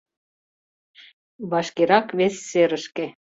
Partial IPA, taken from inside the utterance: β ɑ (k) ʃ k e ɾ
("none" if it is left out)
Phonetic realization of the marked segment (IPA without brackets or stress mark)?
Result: none